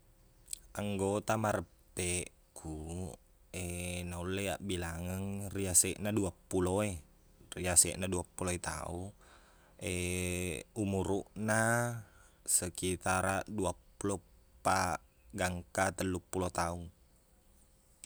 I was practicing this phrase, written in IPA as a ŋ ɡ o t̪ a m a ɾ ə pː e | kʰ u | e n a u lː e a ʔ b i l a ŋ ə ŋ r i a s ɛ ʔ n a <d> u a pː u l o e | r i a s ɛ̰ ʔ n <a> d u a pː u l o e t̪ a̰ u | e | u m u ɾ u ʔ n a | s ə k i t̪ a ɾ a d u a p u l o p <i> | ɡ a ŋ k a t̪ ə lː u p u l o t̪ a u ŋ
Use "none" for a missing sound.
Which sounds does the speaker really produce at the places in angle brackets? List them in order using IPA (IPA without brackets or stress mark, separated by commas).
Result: d, a, a